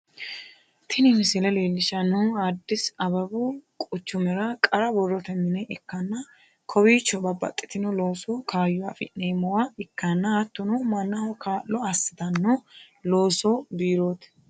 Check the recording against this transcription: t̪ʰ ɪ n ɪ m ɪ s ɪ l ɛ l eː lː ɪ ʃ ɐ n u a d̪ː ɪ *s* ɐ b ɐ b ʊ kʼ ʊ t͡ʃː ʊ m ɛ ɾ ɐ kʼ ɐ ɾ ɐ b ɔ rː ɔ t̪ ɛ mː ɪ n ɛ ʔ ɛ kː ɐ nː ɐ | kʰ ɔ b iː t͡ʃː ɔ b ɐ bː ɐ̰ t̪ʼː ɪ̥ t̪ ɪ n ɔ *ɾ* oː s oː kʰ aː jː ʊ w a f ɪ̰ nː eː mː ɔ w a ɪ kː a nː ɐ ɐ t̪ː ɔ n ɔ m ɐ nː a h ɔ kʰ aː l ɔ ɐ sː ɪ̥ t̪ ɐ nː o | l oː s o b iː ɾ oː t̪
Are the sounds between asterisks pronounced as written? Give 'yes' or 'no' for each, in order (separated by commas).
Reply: yes, no